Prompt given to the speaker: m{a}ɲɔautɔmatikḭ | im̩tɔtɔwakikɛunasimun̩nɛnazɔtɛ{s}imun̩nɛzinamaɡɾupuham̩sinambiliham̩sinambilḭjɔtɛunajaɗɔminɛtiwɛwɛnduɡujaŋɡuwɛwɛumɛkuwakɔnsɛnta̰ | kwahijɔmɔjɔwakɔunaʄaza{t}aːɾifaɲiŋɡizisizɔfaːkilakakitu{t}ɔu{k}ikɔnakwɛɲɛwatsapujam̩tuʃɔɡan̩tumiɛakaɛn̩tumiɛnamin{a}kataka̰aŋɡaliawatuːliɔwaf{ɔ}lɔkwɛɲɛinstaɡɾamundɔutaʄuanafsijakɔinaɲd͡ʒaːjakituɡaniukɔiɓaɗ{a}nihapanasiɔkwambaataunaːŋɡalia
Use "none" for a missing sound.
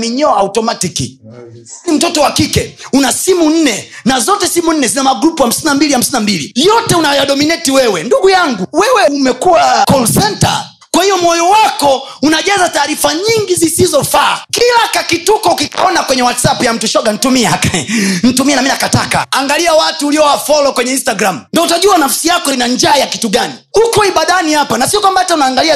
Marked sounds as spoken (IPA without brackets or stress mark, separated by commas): i, s, t, k, k, a, ɔ, a